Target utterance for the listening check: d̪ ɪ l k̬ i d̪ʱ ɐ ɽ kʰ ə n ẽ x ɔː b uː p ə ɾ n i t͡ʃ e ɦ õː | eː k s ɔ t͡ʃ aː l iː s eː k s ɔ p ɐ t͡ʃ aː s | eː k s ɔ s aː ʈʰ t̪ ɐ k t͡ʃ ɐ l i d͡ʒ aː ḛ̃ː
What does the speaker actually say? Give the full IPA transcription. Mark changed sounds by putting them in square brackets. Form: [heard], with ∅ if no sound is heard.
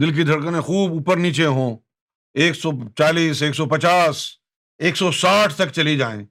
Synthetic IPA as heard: d̪ ɪ l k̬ i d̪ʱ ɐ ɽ [k] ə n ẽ x [uː] b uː p ə ɾ n [iː] t͡ʃ e ɦ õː | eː k s ɔ t͡ʃ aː l iː s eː k s ɔ p ɐ t͡ʃ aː s | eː k s ɔ s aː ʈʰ t̪ ɐ k t͡ʃ ɐ l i d͡ʒ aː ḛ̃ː